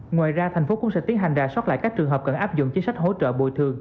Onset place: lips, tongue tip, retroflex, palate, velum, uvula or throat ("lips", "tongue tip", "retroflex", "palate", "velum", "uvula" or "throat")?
velum